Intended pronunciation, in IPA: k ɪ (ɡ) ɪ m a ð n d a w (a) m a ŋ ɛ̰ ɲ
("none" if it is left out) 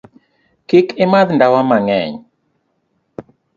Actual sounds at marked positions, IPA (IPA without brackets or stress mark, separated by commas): k, a